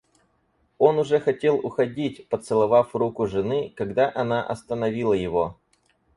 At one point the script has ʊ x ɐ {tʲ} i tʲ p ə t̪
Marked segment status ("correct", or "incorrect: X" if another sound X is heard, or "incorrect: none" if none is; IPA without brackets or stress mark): incorrect: dʲ